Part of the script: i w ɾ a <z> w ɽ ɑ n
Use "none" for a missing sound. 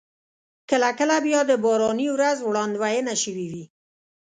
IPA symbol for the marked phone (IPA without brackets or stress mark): z